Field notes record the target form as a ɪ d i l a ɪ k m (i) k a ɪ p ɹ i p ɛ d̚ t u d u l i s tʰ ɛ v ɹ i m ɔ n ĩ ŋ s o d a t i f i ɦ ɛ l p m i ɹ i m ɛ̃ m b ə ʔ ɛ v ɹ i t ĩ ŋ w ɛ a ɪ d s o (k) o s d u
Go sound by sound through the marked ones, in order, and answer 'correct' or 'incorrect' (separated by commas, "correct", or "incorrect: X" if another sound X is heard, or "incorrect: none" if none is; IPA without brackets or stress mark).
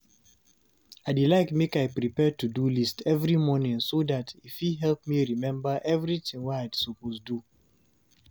incorrect: e, incorrect: p